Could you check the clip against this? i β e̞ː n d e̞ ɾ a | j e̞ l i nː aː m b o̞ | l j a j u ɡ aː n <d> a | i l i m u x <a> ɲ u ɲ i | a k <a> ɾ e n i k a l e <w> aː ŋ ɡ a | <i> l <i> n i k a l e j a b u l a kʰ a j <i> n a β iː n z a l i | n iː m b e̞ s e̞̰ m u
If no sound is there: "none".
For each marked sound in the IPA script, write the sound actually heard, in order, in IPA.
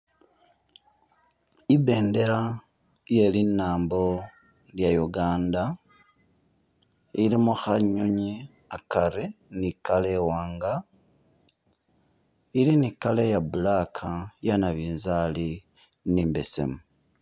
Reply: d, a, a, w, i, i, a

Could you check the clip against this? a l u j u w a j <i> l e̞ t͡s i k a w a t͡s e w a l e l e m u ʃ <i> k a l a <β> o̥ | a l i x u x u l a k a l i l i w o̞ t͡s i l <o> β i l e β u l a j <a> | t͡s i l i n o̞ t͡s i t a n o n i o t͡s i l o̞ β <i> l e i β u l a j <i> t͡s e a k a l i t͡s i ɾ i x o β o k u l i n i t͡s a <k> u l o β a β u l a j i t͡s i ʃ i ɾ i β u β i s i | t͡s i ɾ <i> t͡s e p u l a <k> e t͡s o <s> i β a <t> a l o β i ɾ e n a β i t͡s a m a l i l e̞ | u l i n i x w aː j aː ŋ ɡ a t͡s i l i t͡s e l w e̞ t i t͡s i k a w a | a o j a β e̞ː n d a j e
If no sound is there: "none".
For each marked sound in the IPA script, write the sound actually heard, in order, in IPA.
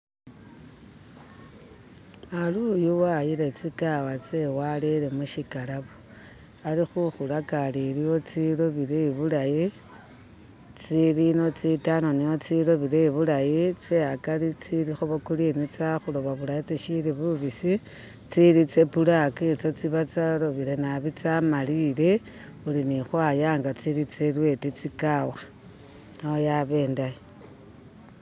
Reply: i, i, β, o, i, i, i, x, i, k, t͡s, t͡s

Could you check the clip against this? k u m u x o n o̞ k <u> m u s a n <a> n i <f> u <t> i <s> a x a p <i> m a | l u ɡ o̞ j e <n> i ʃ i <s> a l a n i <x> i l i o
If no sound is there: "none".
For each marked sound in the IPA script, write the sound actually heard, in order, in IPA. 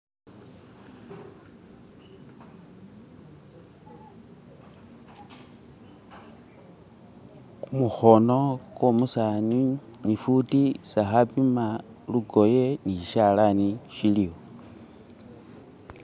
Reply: o, i, f, t, s, i, n, ʃ, ʃ

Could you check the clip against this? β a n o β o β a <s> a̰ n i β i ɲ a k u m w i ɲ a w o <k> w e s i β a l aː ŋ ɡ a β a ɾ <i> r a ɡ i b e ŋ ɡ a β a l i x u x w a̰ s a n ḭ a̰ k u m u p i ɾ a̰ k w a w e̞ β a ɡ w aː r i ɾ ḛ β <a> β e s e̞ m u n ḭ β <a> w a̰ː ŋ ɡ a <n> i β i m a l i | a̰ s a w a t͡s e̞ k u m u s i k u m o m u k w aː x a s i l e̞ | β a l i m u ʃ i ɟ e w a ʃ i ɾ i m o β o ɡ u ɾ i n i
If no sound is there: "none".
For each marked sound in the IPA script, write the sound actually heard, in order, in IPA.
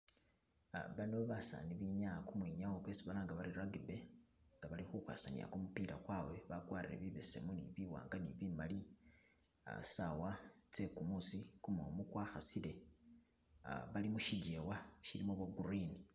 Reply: s, k, i, i, i, n

